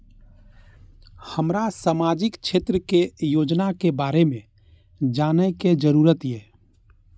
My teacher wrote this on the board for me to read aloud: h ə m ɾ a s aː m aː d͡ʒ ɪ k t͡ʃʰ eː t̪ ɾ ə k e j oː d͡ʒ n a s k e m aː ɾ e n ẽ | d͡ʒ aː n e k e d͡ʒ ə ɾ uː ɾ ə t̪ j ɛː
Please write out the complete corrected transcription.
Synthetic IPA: h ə m ɾ a s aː m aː d͡ʒ ɪ k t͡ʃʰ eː t̪ ɾ ə k e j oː d͡ʒ n a k e b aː ɾ e m ẽ | d͡ʒ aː n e k e d͡ʒ ə ɾ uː ɾ ə t̪ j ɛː

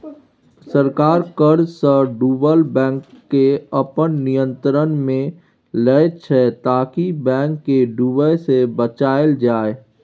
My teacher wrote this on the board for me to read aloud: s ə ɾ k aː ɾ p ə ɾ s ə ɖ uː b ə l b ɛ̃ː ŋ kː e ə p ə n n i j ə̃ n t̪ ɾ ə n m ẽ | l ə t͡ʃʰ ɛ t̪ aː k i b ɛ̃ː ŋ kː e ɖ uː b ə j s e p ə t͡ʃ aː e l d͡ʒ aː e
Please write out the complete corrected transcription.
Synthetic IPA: s ə ɾ k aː ɾ k ə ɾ s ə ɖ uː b ə l b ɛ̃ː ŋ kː e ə p ə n n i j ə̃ n t̪ ɾ ə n m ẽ | l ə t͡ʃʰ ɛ t̪ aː k i b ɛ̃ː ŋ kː e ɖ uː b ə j s e b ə t͡ʃ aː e l d͡ʒ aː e

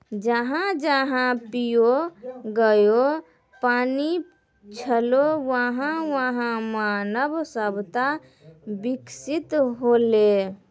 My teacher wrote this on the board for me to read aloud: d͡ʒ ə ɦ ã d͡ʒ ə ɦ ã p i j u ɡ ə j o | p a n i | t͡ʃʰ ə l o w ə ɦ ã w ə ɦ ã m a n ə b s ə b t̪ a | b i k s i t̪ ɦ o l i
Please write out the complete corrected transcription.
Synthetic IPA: d͡ʒ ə ɦ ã d͡ʒ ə ɦ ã p i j o ɡ ə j o | p a n i | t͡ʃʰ ə l o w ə ɦ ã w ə ɦ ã m a n ə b s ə b t̪ a | b i k s i t̪ ɦ o l e

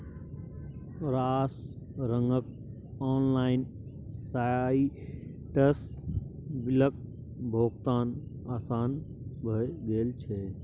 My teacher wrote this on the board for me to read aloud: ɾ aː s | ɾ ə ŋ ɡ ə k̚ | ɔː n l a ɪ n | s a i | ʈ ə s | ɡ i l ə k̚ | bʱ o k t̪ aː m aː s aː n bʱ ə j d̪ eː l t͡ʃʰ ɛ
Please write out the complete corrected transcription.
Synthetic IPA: ɾ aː s | ɾ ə ŋ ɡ ə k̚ | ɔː n l a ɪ n | s a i | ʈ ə s | b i l ə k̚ | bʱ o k t̪ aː n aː s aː n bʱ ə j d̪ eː l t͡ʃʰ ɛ

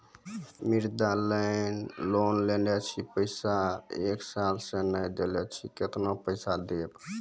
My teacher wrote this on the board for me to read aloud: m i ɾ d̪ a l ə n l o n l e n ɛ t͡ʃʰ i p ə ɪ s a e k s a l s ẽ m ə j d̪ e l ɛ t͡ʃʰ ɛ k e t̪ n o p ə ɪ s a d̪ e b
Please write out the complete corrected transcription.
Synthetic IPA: m i ɾ d̪ a l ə n l o n l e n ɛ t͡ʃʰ i p ə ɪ s a e k s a l s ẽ n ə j d̪ e l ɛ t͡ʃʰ i k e t̪ n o p ə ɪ s a d̪ e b

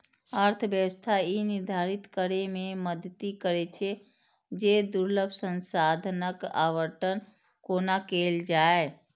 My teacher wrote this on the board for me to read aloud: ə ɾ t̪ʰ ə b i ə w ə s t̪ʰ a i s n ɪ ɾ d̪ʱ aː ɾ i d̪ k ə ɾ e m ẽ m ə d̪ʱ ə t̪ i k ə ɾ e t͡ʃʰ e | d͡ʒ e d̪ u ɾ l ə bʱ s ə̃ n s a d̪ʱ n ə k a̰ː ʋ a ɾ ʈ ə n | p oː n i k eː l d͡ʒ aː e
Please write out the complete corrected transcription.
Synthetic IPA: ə ɾ t̪ʰ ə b j ə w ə s t̪ʰ a i n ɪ ɾ d̪ʱ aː ɾ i t̪ k ə ɾ e m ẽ m ə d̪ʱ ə t̪ i k ə ɾ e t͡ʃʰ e | d͡ʒ e d̪ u ɾ l ə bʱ s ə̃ n s a d̪ʱ n ə k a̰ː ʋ ə ɾ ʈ ə n | k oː n a k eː l d͡ʒ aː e

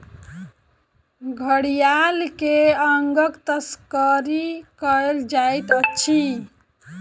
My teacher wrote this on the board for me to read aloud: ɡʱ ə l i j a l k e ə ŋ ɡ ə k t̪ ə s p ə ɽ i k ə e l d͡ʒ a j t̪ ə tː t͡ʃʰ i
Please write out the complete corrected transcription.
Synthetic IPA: ɡʱ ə ɽ i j a l k e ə ŋ ɡ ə k t̪ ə s k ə ɾ i k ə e l d͡ʒ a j t̪ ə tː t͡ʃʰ i

